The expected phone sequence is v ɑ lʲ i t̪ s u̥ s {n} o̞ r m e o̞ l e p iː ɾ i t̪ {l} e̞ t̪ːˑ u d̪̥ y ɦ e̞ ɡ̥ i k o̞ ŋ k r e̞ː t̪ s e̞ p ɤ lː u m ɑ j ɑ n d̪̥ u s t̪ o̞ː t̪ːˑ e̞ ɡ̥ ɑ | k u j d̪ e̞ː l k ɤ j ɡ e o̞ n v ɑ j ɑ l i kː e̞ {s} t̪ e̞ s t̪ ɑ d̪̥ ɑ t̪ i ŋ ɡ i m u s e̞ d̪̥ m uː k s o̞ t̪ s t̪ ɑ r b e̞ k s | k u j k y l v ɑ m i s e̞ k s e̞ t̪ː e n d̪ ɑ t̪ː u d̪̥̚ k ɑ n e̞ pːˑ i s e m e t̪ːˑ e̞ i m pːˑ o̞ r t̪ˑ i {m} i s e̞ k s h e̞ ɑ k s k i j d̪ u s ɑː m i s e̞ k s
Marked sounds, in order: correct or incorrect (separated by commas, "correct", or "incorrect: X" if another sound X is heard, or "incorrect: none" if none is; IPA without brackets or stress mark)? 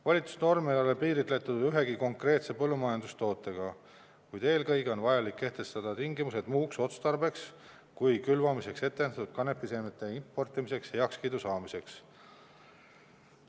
correct, correct, incorrect: h, correct